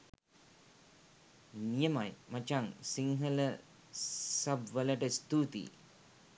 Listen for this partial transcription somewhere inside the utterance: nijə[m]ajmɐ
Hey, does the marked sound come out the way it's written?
yes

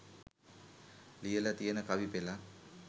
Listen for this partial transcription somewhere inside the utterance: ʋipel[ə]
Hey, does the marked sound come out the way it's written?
no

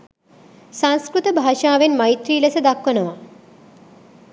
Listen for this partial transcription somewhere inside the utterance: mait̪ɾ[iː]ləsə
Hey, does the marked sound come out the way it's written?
yes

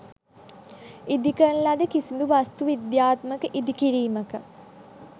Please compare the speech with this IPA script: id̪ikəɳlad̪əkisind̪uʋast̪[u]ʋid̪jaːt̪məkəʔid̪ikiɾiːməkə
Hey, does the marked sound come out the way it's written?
yes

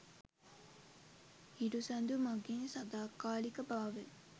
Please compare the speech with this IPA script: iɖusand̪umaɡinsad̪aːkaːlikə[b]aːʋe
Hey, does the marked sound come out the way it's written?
yes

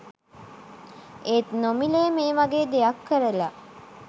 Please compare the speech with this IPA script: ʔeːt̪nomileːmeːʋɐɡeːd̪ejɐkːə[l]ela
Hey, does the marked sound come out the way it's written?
no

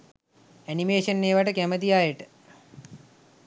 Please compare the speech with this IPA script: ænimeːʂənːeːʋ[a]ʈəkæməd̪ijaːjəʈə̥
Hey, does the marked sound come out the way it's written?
yes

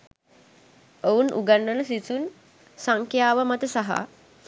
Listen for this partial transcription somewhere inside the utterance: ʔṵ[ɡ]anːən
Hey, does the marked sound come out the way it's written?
yes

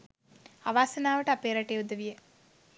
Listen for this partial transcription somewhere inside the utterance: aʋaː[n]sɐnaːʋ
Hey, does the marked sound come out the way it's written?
no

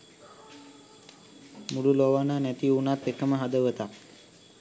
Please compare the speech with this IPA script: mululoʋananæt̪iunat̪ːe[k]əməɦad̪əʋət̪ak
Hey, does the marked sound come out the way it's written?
yes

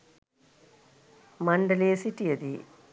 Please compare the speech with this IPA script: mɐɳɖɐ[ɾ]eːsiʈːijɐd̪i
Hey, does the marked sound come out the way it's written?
no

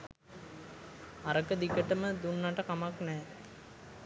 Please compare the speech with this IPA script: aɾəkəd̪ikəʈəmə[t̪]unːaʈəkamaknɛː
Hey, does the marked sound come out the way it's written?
no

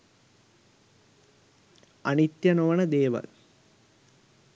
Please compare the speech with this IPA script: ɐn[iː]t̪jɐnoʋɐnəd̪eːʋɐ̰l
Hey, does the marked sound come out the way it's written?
no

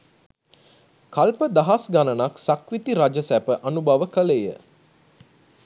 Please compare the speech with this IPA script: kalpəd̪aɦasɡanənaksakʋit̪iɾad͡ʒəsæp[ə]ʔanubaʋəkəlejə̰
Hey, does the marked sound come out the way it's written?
yes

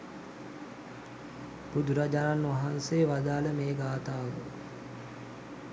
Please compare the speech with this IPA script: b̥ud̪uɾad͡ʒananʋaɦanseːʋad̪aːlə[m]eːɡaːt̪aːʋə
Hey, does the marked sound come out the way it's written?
yes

